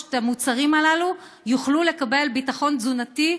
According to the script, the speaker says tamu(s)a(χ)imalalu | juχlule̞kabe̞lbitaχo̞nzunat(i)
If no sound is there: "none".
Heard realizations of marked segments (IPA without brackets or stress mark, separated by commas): t͡s, ʁ, i